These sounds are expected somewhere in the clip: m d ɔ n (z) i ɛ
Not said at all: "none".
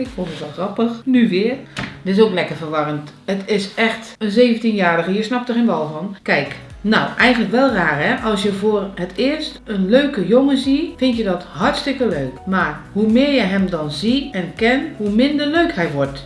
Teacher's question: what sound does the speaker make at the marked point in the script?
z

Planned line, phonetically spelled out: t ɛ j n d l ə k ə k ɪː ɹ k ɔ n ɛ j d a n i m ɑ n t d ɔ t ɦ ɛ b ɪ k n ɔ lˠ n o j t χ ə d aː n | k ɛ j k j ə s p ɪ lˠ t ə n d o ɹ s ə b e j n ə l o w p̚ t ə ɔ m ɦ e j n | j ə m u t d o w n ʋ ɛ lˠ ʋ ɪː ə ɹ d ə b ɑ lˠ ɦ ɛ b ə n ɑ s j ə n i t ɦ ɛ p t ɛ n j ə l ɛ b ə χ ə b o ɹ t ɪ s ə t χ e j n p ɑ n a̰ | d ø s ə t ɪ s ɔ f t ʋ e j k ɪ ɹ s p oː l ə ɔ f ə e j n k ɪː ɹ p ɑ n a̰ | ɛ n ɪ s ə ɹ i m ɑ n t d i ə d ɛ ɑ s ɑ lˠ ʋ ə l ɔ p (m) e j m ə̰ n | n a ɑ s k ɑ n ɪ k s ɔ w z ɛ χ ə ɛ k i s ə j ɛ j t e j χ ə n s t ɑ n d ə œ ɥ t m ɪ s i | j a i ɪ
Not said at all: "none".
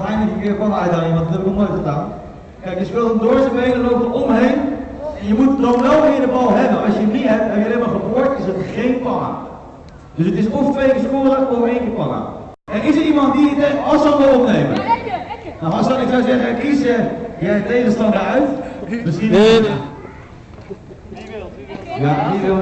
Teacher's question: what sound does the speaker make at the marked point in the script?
n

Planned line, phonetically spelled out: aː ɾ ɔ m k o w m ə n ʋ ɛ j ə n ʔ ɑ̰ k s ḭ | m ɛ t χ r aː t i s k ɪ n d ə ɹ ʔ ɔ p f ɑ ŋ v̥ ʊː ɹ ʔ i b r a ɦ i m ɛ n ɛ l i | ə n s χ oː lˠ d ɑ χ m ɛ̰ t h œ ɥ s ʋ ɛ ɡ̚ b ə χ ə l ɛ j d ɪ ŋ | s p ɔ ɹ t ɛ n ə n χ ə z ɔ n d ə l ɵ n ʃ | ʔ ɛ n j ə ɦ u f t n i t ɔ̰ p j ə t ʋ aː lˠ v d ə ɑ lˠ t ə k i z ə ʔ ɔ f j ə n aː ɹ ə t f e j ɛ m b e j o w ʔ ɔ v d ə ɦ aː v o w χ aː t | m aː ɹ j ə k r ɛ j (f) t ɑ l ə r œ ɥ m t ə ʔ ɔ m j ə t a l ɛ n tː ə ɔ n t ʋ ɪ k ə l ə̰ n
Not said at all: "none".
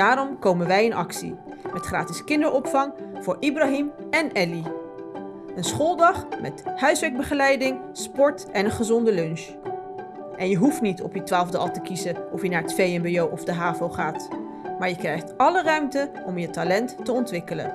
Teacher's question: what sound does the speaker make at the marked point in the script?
χ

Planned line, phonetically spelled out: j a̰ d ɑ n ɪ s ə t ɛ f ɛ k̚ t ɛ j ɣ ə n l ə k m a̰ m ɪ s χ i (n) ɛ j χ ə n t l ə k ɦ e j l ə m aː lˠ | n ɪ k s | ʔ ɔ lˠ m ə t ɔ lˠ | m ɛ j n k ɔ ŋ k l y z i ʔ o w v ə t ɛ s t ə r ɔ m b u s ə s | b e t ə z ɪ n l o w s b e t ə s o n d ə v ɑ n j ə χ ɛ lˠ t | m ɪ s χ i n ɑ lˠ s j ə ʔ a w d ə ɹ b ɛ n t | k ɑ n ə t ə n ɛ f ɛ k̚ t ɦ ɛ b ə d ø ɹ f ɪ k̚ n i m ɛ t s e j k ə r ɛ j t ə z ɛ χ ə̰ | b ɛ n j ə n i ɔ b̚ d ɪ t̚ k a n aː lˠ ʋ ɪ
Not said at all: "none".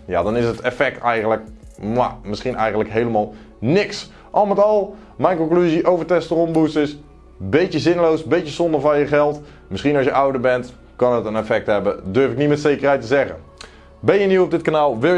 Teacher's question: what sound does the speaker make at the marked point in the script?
n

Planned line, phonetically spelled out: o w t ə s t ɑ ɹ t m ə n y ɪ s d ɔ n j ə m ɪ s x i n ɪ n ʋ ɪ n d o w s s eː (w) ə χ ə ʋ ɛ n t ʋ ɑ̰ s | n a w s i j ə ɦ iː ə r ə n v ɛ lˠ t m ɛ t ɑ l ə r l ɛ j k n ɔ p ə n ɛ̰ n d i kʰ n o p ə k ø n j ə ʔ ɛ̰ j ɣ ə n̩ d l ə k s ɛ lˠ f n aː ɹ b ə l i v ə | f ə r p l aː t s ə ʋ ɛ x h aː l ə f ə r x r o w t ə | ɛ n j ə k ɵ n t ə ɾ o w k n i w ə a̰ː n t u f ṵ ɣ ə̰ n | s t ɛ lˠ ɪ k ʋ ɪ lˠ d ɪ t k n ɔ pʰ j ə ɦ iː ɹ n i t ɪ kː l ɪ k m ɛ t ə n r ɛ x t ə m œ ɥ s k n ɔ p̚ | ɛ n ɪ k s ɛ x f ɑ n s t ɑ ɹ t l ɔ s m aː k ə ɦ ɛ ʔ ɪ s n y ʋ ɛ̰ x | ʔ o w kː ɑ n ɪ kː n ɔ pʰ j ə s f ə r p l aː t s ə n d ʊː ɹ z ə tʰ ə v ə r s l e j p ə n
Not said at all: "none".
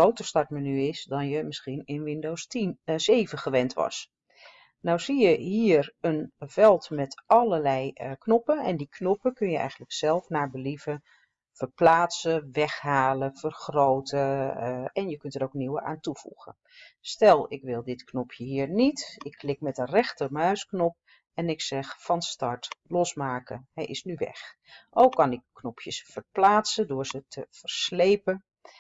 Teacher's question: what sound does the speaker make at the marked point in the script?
v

